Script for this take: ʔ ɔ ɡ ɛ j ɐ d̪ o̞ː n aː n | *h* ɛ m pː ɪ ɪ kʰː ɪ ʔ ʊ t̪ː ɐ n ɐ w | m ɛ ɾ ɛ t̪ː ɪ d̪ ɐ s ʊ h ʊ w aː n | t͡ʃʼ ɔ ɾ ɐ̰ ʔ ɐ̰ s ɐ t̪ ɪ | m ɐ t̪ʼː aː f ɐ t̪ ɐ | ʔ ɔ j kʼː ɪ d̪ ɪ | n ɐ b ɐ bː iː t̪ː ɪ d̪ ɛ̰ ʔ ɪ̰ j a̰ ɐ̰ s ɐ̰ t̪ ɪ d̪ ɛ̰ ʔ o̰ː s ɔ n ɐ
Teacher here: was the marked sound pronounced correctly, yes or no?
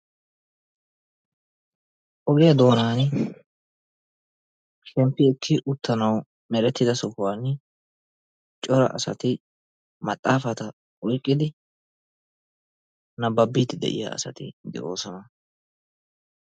no